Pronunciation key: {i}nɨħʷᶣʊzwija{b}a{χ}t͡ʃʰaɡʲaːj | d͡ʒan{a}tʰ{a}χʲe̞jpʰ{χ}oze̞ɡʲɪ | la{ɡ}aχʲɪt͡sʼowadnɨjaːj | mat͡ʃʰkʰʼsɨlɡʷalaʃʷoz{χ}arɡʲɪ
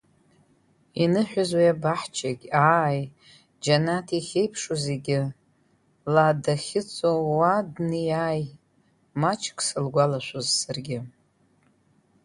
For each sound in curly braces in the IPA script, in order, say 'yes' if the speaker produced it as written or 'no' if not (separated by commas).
yes, yes, no, yes, no, no, no, no